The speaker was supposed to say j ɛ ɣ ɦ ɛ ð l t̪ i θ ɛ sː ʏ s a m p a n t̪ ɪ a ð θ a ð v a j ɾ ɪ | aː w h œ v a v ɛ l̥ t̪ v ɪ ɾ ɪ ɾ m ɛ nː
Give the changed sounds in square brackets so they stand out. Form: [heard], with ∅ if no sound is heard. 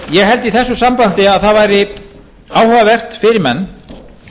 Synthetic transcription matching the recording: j ɛ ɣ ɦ ɛ [∅] l t̪ i θ ɛ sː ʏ s a m p a n t̪ ɪ a ð θ a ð v a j ɾ ɪ | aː w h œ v a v ɛ [r̥] t̪ [f] ɪ ɾ ɪ ɾ m ɛ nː